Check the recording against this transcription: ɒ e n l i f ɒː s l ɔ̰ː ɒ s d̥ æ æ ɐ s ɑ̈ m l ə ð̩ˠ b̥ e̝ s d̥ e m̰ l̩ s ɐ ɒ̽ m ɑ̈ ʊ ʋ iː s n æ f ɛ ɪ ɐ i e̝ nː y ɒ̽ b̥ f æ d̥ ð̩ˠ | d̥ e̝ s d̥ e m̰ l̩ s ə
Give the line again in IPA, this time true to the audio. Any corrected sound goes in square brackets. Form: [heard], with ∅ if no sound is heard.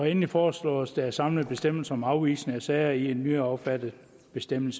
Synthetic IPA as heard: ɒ e n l i f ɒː s l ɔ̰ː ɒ s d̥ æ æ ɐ s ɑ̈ m l ə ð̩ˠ b̥ e̝ s d̥ e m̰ l̩ s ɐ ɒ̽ m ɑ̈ ʊ ʋ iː s n æ [s] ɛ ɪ ɐ i e̝ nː y ɒ̽ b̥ f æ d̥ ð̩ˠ | [b̥] e̝ s d̥ e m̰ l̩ s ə